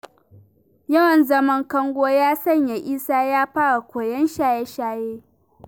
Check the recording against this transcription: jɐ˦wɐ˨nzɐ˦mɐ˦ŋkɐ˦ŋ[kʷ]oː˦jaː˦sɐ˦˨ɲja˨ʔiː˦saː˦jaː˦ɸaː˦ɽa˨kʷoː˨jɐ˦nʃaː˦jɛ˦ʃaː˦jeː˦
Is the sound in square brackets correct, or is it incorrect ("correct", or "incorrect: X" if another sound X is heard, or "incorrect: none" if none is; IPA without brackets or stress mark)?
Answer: incorrect: ɡʷ